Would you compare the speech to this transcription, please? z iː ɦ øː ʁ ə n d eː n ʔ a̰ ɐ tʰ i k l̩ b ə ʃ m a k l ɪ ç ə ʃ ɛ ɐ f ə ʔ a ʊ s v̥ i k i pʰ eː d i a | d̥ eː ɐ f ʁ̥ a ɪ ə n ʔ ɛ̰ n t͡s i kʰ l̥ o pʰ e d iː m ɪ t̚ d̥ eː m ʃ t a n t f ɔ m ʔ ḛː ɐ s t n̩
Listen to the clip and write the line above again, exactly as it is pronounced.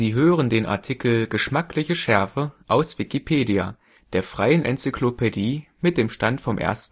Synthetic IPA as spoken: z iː ɦ øː ʁ ə n d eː n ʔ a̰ ɐ tʰ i k l̩ ɡ ə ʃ m a k l ɪ ç ə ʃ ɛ ɐ f ə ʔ a ʊ s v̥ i k i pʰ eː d i a | d̥ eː ɐ f ʁ̥ a ɪ ə n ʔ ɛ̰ n t͡s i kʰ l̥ o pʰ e d iː m ɪ t̚ d̥ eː m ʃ t a n t f ɔ m ʔ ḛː ɐ s t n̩